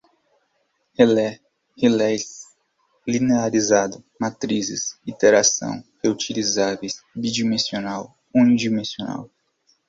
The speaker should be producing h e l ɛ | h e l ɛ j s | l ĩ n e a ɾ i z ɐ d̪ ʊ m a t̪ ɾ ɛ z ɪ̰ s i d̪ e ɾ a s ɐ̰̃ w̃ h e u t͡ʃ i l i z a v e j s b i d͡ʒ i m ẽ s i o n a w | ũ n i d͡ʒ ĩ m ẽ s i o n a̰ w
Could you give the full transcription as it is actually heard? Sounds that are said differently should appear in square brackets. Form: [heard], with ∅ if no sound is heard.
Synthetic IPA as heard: h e l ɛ | h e l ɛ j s | l [i] n e a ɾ i z [a] d̪ ʊ m a t̪ ɾ [i] z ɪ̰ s i [t̪] e ɾ a s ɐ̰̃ w̃ h e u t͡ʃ i l i z a v e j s b i d͡ʒ i m ẽ s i o n a w | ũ n i d͡ʒ [i] m ẽ s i o n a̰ w